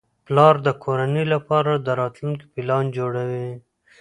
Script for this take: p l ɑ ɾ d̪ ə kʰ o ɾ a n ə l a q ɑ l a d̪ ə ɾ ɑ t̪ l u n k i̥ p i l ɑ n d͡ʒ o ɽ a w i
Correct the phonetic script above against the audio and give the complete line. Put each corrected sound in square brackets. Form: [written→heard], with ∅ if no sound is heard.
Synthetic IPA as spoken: p l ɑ ɾ d̪ ə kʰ o ɾ a n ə l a [q→p] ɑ [l→ɾ] a d̪ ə ɾ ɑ t̪ l u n k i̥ p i l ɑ n d͡ʒ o ɽ a w i